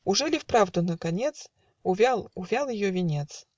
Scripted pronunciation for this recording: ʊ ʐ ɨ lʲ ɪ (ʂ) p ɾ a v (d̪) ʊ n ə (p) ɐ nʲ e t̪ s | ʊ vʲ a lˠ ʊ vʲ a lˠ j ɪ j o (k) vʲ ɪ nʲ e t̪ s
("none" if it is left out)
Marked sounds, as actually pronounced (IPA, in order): f, d̪, k, none

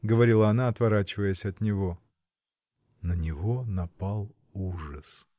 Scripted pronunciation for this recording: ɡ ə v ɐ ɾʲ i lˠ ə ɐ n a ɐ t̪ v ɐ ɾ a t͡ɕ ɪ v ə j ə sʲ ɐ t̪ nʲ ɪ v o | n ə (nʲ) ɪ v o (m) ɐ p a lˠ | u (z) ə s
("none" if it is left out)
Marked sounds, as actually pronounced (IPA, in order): nʲ, n, ʐ

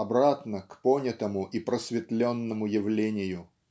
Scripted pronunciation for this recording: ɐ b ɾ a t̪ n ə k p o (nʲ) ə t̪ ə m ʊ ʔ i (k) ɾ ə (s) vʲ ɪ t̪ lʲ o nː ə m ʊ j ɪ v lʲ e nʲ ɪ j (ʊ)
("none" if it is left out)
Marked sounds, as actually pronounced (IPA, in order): nʲ, p, s, ʊ

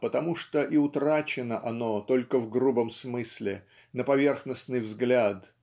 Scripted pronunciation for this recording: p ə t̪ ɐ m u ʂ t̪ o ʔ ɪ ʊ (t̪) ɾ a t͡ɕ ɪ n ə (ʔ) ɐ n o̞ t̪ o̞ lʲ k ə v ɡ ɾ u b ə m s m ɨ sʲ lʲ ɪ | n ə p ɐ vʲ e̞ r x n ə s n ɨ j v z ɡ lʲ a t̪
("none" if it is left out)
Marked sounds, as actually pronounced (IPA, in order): t̪, ʔ

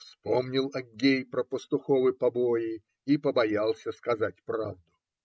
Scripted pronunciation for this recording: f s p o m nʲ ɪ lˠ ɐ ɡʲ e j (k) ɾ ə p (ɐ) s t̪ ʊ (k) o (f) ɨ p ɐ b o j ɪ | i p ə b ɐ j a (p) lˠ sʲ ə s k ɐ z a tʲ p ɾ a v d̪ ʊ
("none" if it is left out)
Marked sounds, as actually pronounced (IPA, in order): p, ə, x, v, none

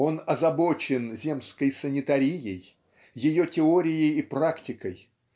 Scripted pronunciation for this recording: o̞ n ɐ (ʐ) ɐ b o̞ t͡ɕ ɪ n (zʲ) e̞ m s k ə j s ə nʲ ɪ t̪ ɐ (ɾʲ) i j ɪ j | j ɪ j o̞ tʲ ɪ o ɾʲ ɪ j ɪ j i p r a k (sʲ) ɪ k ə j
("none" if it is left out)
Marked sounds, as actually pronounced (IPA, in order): z, zʲ, ɾʲ, tʲ

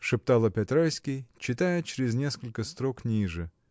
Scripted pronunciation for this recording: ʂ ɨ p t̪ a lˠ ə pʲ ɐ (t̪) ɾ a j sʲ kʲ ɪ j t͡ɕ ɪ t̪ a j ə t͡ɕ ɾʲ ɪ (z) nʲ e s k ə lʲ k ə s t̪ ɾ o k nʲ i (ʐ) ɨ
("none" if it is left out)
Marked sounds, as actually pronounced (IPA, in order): t̪, z, ʐ

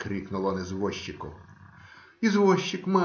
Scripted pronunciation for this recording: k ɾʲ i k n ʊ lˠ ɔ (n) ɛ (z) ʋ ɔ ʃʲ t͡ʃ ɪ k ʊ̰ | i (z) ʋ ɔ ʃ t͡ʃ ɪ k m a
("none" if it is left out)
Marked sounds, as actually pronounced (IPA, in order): n, z, z

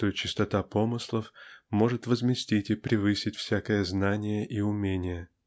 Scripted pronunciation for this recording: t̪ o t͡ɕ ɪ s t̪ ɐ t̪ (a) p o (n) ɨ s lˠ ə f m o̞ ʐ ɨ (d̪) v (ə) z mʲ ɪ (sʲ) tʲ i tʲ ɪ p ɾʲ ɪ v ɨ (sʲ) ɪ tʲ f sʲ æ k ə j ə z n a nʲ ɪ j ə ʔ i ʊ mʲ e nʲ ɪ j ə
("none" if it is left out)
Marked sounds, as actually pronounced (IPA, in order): a, m, t̪, ə, sʲ, sʲ

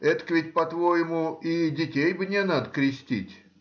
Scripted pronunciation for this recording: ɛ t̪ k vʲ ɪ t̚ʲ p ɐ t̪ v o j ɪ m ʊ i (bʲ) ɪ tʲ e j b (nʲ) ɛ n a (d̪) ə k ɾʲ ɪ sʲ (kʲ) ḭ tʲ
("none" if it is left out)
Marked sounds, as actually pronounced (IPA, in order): dʲ, nʲ, d̪, tʲ

